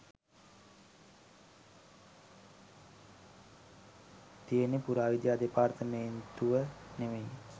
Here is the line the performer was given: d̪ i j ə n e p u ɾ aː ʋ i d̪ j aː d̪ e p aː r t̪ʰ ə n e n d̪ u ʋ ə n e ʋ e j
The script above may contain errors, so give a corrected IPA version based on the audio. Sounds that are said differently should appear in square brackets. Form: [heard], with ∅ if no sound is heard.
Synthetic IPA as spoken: [t̪] i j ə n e p u ɾ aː ʋ i d̪ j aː d̪ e p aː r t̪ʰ ə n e n [t̪] u ʋ ə n e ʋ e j

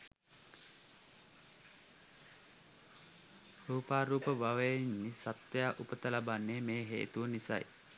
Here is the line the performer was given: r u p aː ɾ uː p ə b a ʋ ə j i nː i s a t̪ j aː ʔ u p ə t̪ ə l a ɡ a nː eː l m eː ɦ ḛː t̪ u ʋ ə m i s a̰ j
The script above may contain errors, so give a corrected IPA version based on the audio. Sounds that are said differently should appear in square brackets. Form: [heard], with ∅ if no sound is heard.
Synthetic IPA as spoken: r [uː] p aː ɾ uː p ə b a ʋ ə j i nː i s a t̪ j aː ʔ u p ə t̪ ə l a [b] a nː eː [∅] m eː ɦ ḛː t̪ u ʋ ə [n] i s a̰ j

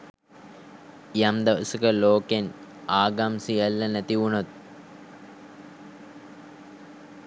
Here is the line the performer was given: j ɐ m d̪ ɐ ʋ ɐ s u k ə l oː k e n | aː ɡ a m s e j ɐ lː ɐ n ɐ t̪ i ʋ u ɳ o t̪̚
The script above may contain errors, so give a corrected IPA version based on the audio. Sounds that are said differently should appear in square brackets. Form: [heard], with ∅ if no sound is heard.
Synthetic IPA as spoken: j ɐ m d̪ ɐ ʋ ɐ s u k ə l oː k e n | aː ɡ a m s [i] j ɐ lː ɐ n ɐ t̪ i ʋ u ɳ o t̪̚

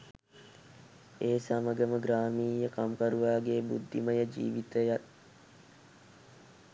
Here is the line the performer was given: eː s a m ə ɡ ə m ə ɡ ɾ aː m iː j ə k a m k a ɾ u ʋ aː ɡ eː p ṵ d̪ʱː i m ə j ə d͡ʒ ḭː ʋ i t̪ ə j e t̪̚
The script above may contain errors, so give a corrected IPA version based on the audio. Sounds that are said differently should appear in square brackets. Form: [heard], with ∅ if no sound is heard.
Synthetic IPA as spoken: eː s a m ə ɡ ə m ə ɡ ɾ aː m iː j ə k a m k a ɾ u ʋ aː ɡ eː [b] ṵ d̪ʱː i m ə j ə d͡ʒ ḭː ʋ i t̪ ə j [a] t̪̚

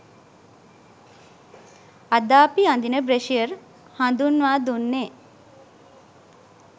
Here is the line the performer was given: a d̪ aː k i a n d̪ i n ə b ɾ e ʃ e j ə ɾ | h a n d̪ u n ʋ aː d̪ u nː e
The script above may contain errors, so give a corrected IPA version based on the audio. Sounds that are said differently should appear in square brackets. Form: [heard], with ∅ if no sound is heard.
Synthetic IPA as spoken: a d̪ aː [p] i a n d̪ i n ə b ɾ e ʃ [i] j ə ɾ | h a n d̪ u n ʋ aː d̪ u nː e

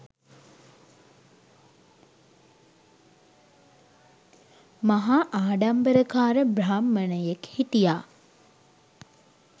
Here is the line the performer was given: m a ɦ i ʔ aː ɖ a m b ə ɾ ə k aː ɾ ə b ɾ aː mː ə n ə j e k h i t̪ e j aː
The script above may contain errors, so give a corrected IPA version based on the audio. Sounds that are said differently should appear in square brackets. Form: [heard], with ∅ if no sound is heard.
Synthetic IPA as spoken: m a ɦ [a] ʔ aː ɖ a m b ə ɾ ə k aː ɾ ə b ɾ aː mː ə n ə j e k h i t̪ [i] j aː

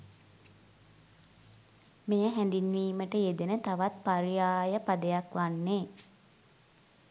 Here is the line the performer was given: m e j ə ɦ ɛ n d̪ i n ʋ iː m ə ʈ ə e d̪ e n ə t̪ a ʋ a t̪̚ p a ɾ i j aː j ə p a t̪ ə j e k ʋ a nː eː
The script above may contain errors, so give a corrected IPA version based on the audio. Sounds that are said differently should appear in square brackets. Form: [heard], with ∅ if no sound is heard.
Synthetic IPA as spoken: m e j ə ɦ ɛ n d̪ i n ʋ iː m ə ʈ ə e d̪ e n ə t̪ a ʋ a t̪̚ p a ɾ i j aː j ə p a [d̪] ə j [a] k ʋ a nː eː

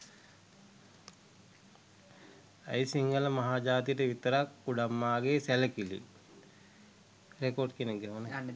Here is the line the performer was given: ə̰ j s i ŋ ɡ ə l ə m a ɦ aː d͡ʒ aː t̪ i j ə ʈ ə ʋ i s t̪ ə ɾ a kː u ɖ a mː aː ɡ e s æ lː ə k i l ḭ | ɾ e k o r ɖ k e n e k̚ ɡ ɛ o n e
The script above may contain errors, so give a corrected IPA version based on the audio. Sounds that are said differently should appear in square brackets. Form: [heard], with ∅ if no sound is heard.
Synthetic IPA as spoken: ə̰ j s i ŋ ɡ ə l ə m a ɦ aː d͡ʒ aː t̪ i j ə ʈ ə ʋ i [∅] t̪ ə ɾ a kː u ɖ a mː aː ɡ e s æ [l] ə k i l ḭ | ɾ e k o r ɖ k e n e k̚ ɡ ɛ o n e

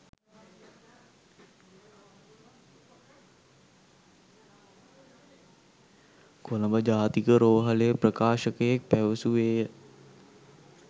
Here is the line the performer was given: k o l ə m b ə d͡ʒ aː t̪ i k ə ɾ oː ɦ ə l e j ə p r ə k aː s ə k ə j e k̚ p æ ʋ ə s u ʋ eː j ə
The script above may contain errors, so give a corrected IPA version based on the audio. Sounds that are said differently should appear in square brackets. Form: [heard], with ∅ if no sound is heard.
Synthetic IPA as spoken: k o l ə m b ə d͡ʒ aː t̪ i k ə ɾ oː ɦ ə l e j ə p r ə k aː [ʃ] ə k ə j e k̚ p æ ʋ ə s u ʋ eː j ə

